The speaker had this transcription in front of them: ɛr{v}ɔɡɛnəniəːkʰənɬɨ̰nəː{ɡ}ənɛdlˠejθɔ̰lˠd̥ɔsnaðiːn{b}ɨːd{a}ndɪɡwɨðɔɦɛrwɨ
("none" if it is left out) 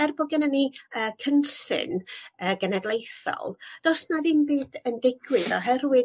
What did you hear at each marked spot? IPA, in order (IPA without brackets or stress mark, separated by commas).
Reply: b, ɡ, b, ə